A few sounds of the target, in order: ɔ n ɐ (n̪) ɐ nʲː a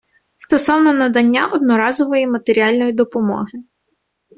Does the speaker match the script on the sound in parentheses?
no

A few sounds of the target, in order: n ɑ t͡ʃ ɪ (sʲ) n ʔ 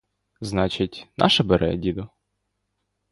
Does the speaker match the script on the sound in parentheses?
no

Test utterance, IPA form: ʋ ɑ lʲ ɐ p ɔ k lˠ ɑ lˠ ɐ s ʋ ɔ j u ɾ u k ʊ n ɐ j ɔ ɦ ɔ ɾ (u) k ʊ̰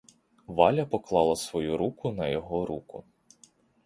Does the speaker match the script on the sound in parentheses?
yes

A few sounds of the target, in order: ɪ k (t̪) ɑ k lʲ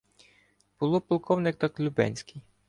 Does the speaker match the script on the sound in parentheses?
yes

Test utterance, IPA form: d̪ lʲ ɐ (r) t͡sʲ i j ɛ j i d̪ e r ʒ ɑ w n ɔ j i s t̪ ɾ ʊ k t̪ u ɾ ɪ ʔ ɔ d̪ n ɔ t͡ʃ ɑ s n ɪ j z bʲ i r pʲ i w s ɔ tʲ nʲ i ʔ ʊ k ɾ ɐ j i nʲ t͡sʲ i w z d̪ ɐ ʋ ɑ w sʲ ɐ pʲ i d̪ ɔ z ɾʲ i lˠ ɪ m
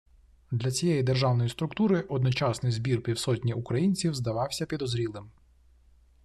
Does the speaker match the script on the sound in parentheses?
no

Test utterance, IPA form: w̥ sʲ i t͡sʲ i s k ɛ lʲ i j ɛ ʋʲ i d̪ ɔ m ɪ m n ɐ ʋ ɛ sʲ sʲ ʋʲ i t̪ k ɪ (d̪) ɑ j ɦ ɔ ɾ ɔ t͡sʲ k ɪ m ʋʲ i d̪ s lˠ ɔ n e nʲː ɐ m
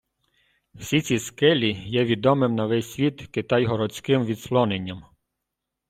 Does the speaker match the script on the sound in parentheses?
no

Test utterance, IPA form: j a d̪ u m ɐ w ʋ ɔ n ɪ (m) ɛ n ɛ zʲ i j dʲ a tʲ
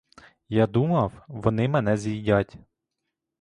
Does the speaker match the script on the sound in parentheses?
yes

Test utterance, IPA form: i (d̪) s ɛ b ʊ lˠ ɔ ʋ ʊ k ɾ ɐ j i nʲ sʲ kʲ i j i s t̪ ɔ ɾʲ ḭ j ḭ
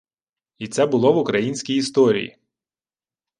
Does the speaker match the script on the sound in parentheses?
no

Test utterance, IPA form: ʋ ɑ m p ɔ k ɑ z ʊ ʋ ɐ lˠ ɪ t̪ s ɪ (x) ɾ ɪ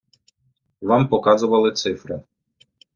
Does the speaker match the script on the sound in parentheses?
no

